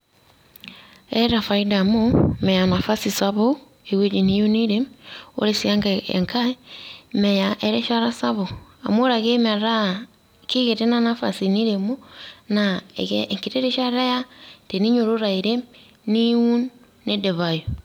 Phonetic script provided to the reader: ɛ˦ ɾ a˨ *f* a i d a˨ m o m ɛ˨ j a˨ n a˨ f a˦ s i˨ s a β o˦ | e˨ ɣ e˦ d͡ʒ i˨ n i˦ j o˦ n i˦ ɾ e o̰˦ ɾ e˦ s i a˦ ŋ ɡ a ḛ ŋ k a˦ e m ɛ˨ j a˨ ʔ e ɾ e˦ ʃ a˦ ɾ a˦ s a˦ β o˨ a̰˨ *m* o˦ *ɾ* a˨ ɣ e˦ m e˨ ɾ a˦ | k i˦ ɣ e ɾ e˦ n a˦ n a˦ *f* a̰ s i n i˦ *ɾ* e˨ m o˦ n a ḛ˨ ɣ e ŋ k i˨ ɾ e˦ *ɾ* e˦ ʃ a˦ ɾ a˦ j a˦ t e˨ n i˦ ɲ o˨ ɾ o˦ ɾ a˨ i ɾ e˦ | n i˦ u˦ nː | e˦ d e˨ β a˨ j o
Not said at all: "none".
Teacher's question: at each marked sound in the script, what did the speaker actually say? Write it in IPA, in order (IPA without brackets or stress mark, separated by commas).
f, m, ɾ, f, ɾ, ɾ